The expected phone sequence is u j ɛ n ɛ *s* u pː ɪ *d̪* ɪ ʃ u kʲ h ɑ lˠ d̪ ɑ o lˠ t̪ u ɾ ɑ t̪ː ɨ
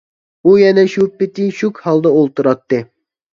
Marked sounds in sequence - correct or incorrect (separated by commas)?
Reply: incorrect, incorrect